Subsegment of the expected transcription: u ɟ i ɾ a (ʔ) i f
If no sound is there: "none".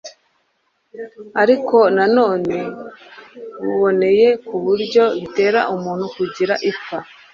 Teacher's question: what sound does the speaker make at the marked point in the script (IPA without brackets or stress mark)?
ʔ